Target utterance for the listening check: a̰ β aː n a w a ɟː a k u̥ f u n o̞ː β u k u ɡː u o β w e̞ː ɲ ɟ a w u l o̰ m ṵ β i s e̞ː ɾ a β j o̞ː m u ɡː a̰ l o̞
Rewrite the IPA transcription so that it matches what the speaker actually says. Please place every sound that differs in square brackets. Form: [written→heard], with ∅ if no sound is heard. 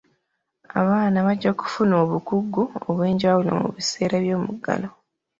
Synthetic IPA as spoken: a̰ β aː n a [w→β] a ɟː a k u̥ f u n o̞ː β u k u ɡː u o β w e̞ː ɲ ɟ a w u l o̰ m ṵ β i s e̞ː ɾ a β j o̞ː m u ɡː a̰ l o̞